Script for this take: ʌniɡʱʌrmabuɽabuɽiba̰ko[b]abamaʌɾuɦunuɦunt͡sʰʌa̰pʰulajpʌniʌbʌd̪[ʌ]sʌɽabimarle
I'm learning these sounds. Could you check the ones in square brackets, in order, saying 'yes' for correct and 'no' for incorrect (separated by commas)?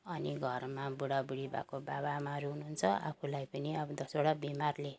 yes, yes